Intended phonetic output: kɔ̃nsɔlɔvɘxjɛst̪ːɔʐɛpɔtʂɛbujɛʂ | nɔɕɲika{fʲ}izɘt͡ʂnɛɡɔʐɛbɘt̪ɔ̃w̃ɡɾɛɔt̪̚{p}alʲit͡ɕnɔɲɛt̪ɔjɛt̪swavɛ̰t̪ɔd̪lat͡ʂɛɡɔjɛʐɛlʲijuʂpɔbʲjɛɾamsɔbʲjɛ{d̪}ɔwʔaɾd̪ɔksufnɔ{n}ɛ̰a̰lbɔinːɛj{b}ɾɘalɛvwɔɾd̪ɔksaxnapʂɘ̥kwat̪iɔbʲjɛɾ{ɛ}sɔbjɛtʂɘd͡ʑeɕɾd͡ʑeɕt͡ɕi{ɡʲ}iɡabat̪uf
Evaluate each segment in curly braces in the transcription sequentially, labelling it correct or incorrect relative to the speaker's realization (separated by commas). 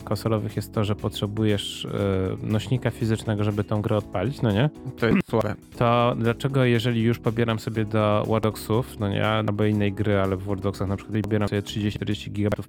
correct, correct, correct, incorrect, incorrect, incorrect, correct